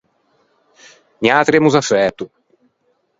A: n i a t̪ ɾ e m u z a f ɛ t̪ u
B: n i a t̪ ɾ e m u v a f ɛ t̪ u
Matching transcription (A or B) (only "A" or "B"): A